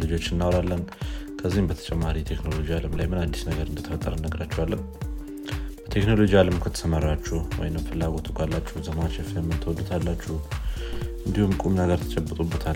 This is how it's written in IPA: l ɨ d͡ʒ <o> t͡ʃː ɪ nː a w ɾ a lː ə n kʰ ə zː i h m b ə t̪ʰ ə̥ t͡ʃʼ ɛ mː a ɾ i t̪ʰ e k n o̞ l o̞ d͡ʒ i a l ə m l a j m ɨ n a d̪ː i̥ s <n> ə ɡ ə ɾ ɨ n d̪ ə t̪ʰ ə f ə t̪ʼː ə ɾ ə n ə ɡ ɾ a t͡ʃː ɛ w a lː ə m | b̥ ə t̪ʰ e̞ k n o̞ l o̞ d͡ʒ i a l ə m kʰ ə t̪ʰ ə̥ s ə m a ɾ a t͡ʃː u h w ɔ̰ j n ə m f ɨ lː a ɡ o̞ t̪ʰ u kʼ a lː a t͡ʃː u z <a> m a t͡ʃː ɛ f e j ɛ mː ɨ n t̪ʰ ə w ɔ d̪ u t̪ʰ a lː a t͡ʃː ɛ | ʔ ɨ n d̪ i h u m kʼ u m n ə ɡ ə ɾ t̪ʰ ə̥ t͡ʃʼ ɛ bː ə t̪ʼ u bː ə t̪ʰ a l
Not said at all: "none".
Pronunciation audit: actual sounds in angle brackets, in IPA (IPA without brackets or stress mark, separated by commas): o, n, ə